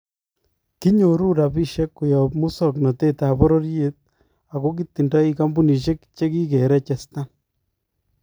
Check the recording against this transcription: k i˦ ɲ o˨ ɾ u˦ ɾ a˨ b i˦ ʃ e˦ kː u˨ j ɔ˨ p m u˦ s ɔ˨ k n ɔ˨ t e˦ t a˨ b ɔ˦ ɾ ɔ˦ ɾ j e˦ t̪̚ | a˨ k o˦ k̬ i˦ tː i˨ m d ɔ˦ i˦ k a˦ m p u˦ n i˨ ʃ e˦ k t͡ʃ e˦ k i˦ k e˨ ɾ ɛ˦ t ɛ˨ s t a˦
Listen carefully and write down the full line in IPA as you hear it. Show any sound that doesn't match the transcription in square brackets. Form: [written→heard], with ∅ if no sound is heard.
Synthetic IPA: k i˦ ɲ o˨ ɾ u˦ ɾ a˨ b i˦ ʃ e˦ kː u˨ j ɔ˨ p m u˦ s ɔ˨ k n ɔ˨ t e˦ t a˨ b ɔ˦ ɾ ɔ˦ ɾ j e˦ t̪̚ | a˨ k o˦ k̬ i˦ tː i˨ [m→n] d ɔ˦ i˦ k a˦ m [p→b] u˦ n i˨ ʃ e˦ k t͡ʃ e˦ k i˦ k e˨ ɾ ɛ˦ [t→t͡ʃ] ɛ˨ s t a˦